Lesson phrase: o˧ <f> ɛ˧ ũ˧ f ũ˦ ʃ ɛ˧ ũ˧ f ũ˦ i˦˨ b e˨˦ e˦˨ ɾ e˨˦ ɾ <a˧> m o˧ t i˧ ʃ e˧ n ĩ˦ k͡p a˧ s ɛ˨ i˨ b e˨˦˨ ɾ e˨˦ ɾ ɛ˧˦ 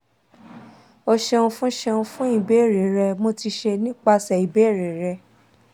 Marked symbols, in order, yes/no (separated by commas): no, no